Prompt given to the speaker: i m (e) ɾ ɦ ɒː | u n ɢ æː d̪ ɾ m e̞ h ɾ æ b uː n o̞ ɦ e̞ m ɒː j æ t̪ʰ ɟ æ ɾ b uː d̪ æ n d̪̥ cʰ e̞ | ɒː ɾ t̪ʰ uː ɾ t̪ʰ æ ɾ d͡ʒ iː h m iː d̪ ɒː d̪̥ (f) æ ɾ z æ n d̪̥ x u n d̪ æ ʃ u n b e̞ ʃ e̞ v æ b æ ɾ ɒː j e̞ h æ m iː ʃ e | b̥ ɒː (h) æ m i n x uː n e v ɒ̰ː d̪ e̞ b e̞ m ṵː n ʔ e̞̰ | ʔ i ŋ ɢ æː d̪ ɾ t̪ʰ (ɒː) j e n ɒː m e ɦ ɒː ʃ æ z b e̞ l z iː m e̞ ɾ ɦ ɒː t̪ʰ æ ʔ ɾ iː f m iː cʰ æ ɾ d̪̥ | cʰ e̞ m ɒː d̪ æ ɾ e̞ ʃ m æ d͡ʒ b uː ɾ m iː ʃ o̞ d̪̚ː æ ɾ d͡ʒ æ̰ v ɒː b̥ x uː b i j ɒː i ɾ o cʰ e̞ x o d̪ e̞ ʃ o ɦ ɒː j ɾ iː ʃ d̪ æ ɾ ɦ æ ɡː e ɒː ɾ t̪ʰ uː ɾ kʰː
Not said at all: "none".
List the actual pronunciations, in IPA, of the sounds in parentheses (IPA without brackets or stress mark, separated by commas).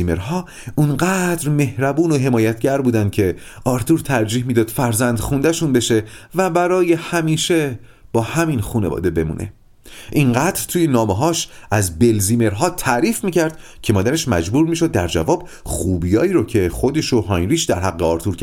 e, f, h, uː